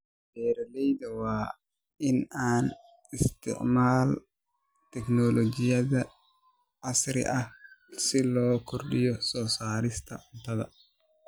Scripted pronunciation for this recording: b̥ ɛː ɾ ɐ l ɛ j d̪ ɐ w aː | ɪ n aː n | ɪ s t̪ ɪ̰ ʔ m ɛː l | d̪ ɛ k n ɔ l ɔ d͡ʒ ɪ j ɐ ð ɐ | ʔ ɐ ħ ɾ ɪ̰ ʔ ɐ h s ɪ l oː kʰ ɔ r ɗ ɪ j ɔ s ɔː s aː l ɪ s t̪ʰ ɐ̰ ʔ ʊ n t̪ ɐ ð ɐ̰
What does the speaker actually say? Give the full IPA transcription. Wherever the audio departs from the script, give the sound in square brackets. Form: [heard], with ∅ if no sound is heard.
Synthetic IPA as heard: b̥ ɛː ɾ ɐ l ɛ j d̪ ɐ w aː | ɪ n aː n | ɪ s t̪ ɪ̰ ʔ m [aː] l | [t̪] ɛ k n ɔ l ɔ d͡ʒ ɪ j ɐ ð ɐ | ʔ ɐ [s] ɾ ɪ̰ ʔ ɐ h s ɪ l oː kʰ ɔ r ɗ ɪ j ɔ s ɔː s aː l ɪ s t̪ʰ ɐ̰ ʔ ʊ n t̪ ɐ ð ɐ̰